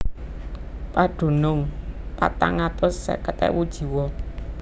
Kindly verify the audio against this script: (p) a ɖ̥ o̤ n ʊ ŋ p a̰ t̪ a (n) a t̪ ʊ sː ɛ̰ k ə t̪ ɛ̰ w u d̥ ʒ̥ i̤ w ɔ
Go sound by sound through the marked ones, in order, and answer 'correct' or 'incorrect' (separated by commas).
correct, incorrect